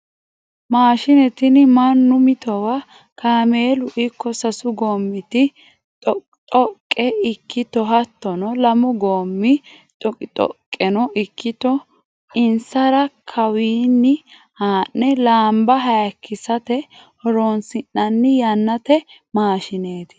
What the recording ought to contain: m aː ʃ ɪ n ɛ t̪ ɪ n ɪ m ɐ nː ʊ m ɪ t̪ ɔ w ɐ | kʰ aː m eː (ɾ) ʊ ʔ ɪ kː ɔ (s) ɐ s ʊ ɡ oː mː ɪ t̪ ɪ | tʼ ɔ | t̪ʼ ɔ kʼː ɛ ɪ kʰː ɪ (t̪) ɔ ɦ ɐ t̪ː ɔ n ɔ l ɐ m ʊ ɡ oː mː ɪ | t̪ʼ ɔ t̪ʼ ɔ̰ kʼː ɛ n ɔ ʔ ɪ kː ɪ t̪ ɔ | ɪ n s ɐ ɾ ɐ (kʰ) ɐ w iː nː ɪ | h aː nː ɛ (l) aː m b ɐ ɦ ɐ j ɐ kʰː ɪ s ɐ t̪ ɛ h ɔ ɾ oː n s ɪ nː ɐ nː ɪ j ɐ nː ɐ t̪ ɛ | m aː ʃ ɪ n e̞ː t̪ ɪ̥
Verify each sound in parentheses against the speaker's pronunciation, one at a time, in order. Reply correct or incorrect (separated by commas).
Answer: incorrect, correct, correct, correct, correct